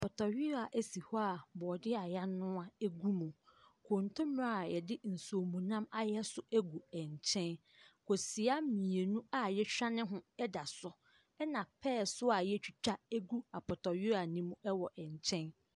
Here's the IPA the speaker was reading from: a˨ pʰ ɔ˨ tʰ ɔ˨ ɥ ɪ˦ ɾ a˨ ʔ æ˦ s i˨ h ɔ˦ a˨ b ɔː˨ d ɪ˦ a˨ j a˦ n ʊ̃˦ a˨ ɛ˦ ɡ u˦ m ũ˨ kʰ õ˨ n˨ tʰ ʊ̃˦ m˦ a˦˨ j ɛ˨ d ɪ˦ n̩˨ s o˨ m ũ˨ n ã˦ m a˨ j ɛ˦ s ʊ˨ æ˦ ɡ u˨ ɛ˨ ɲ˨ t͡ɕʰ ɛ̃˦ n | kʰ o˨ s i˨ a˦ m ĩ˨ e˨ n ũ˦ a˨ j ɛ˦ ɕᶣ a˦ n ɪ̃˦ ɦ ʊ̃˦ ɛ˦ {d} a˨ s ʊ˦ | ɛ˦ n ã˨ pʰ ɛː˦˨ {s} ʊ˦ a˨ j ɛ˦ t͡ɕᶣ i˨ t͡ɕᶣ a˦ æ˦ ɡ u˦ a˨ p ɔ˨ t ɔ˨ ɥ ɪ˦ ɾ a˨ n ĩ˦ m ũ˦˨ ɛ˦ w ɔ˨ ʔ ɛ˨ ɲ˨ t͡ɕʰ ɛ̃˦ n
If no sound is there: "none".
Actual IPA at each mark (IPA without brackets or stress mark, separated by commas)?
d, s